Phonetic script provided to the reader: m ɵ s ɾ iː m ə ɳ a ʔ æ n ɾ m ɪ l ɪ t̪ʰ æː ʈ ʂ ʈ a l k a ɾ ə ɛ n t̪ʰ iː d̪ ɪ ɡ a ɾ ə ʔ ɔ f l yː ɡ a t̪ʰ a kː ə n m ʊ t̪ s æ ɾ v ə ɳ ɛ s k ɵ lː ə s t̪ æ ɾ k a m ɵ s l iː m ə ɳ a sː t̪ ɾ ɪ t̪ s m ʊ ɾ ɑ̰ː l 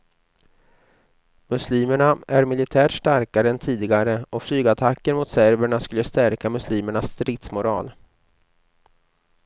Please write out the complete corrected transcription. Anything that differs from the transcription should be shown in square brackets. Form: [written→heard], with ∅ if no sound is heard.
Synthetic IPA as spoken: m ɵ s [ɾ→l] iː m ə ɳ a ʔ æ [n→∅] ɾ m ɪ l ɪ t̪ʰ æː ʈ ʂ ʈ a [l→ɾ] k a ɾ ə ɛ n t̪ʰ iː d̪ ɪ ɡ a ɾ ə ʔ ɔ f l yː ɡ a t̪ʰ a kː ə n m ʊ t̪ s æ ɾ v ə ɳ [ɛ→a] s k ɵ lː ə s t̪ æ ɾ k a m ɵ s l iː m ə ɳ a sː t̪ ɾ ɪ t̪ s m ʊ ɾ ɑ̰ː l

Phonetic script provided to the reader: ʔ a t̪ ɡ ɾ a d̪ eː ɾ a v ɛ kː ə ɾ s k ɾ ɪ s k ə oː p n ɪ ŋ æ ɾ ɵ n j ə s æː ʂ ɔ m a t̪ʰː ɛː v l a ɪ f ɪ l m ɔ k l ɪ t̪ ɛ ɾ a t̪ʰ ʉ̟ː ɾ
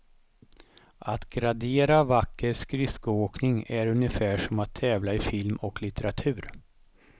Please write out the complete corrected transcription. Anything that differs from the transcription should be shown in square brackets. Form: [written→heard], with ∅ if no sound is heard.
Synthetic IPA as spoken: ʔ a t̪ ɡ ɾ a d̪ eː ɾ a v [ɛ→a] kː ə ɾ s k ɾ ɪ s k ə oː [p→k] n ɪ ŋ æ ɾ ɵ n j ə [s→f] æː ʂ ɔ m a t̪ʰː ɛː v l a ɪ f ɪ l m ɔ k l ɪ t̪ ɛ ɾ a t̪ʰ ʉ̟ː ɾ

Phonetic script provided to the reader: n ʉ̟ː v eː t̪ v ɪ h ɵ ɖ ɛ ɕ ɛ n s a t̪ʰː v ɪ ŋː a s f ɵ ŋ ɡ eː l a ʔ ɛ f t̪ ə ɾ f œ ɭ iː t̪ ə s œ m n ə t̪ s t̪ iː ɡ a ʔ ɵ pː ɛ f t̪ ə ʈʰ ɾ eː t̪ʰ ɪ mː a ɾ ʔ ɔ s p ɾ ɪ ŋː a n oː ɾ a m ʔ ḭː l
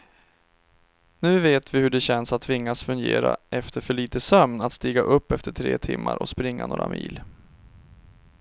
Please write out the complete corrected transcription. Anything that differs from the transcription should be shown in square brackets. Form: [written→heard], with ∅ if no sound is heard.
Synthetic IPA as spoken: n ʉ̟ː v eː t̪ v ɪ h ɵ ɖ ɛ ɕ ɛ n s a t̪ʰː v ɪ ŋː a s f ɵ ŋ ɡ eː [l→ɾ] a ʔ ɛ f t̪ ə ɾ f œ ɭ iː t̪ ə s œ m n [ə→a] t̪ s t̪ iː ɡ a ʔ ɵ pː ɛ f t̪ ə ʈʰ ɾ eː t̪ʰ ɪ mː a ɾ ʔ ɔ s p ɾ ɪ ŋː a n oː ɾ a m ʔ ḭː l

